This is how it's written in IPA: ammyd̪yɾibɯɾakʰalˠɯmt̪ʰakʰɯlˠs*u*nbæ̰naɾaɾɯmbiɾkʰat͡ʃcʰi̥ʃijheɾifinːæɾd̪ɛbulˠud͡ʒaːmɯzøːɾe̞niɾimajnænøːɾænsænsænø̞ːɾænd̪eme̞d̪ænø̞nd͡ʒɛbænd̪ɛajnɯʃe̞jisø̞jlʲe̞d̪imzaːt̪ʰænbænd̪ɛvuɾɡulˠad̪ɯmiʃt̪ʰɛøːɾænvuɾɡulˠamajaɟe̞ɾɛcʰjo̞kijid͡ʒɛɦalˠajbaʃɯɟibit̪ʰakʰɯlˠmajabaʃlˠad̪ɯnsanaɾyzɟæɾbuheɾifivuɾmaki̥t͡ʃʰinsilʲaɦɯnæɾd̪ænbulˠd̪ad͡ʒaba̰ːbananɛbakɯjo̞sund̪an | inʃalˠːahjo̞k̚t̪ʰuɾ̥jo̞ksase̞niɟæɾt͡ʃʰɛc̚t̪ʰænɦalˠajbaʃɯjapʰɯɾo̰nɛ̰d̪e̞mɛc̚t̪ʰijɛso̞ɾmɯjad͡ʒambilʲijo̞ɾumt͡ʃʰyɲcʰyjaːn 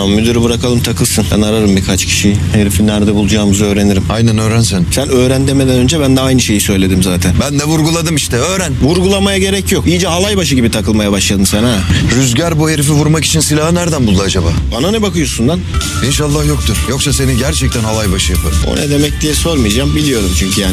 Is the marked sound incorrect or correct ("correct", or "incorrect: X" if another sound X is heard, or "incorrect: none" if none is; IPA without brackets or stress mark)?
incorrect: ɯ